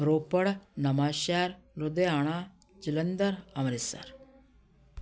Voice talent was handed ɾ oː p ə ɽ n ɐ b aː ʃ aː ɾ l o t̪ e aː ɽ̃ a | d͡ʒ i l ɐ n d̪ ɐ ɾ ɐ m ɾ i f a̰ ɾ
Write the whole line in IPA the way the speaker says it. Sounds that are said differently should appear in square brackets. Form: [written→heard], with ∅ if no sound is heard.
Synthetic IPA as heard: ɾ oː p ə ɽ n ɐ [b→m] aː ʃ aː ɾ l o [t̪→d̪] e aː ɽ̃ a | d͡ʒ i l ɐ n d̪ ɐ ɾ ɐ m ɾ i [f→s] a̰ ɾ